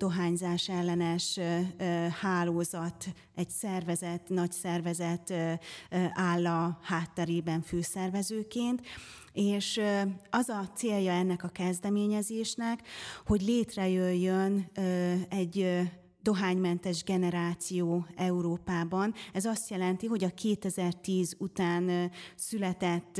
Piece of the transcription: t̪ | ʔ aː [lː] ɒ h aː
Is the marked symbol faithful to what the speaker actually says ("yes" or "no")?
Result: yes